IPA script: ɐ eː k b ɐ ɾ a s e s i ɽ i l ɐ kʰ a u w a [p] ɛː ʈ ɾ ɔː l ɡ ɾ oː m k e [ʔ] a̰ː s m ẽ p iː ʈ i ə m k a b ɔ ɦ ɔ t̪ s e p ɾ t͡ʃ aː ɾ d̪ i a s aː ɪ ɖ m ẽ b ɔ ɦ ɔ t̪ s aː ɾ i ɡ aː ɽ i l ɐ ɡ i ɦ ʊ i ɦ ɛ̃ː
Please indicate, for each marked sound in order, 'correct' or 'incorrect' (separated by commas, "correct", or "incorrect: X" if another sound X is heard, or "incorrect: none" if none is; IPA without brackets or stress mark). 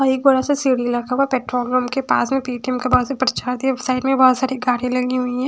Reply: correct, incorrect: p